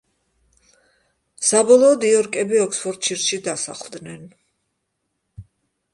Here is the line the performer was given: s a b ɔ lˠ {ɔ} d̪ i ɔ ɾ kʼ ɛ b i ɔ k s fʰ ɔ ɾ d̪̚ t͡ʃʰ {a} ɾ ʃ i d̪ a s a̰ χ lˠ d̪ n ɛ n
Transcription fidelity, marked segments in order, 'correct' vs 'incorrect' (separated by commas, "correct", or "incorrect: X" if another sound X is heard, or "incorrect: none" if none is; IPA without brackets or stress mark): incorrect: ɔː, incorrect: i